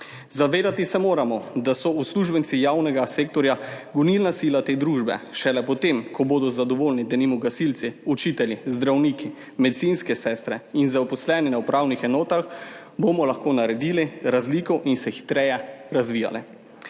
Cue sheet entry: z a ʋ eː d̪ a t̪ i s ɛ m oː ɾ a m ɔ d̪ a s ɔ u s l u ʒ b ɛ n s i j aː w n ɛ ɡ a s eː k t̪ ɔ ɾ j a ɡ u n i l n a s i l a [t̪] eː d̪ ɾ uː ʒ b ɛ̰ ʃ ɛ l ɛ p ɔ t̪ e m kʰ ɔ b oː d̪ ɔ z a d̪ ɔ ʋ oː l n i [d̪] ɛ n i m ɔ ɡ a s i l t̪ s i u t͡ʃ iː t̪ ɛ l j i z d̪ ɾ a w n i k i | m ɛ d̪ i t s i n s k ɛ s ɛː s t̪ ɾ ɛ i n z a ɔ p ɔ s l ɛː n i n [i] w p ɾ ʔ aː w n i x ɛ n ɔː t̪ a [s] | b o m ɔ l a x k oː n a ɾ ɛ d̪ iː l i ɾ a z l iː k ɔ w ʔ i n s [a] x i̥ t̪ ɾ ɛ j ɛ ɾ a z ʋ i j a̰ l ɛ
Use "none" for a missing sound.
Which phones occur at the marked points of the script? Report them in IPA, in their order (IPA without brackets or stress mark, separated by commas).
t̪, d̪, a, x, ɛ